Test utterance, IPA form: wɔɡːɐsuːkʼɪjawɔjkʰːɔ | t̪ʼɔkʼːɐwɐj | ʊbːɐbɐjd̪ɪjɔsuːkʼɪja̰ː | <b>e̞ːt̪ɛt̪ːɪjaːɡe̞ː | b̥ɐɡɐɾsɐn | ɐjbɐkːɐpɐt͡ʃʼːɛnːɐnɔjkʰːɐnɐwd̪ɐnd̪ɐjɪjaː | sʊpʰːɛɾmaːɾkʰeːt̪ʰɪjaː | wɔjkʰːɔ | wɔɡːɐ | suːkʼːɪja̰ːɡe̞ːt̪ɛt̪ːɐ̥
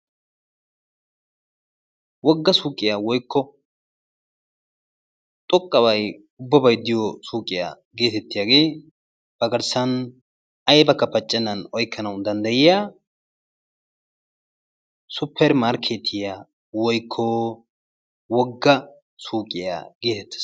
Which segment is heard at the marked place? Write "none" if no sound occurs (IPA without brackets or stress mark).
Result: ɡ